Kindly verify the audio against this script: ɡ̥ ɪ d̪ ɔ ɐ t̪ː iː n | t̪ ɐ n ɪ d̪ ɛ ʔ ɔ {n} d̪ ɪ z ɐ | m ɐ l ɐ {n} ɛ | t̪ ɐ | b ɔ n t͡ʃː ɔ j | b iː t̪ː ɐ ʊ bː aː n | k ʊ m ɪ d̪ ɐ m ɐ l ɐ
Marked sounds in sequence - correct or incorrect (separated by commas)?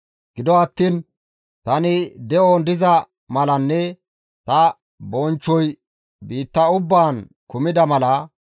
correct, incorrect